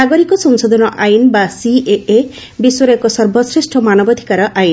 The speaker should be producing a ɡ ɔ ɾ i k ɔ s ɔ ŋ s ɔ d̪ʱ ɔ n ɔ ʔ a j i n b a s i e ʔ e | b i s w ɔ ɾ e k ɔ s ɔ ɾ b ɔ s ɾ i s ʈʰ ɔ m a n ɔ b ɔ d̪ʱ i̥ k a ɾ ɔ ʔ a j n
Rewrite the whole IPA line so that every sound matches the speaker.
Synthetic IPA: a ɡ ɔ ɾ i k ɔ s ɔ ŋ s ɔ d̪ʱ ɔ n ɔ ʔ a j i n b a s i e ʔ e | b i s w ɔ ɾ e k ɔ s ɔ ɾ b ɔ s ɾ i s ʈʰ ɔ m a n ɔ b ɔ d̪ʱ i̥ k a ɾ ɔ ʔ a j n